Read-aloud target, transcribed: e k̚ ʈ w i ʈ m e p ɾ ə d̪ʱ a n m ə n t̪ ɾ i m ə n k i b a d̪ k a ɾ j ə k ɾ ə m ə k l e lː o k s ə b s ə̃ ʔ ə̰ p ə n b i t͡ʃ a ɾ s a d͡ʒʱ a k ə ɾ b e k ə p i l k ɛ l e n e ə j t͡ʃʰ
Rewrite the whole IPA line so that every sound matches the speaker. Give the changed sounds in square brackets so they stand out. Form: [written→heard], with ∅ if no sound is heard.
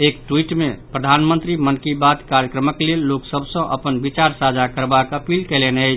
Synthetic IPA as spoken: e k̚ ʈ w i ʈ m e p ɾ ə d̪ʱ a n m ə n t̪ ɾ i m ə n k i b a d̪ k a ɾ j ə k ɾ ə m ə k l e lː o k s ə b s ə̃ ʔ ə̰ p ə n b i t͡ʃ a ɾ s a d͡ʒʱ a k ə ɾ b [e→a] k ə p i l k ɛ l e n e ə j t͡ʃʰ